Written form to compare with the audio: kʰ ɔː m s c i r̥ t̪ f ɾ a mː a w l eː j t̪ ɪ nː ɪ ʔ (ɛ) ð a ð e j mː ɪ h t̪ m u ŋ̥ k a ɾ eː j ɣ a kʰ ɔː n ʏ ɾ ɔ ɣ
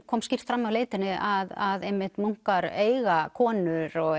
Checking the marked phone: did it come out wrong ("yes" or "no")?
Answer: yes